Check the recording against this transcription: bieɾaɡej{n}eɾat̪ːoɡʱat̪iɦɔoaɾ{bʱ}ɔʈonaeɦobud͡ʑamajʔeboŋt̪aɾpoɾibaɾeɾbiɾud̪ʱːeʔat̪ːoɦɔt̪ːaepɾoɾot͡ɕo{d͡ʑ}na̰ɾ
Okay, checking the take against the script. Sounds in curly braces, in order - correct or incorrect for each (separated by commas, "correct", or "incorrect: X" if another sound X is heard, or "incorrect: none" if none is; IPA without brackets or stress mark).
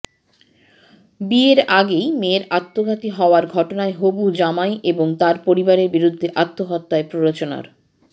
incorrect: m, incorrect: ɡʱ, incorrect: none